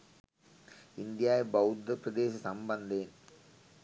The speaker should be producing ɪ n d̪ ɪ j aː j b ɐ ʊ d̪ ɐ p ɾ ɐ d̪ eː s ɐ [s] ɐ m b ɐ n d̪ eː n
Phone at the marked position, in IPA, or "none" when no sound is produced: s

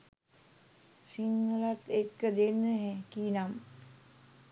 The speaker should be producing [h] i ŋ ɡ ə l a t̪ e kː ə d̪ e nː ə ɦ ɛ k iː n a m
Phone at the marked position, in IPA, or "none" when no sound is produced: s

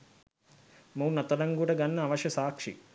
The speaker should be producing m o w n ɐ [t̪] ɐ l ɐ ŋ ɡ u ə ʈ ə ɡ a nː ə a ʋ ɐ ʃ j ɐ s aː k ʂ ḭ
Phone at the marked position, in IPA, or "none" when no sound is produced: t̪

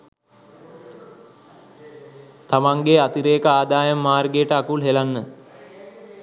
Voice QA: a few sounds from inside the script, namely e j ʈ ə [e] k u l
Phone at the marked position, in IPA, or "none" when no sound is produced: a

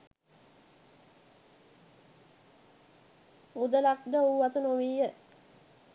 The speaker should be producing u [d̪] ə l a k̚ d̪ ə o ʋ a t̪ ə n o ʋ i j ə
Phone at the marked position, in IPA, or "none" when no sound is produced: d̪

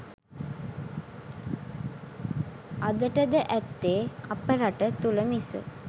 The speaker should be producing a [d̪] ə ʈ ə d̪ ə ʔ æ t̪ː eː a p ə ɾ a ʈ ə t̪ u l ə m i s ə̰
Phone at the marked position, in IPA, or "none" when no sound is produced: d̪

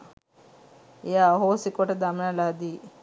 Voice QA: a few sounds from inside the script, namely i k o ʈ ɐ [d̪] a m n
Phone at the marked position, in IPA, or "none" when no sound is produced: d̪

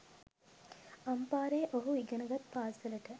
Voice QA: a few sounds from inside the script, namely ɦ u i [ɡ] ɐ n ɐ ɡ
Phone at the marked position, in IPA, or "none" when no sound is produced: ɡ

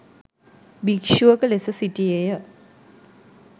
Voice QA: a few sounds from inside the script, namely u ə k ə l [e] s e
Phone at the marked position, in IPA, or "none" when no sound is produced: e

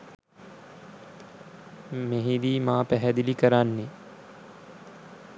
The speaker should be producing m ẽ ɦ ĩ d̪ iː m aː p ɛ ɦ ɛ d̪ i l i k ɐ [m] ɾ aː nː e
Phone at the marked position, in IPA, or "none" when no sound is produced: none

